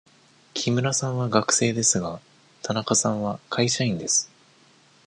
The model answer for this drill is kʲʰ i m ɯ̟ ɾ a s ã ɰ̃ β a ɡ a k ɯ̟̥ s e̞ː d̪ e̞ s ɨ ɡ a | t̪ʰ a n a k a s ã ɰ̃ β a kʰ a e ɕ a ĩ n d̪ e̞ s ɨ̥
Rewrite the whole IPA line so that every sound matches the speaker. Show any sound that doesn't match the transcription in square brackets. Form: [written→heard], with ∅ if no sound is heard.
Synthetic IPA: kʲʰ i m ɯ̟ ɾ a s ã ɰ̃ β a ɡ a k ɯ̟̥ s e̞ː d̪ e̞ s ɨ ɡ a | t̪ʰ a n a k a s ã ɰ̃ β a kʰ a [e→i] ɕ a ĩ n d̪ e̞ s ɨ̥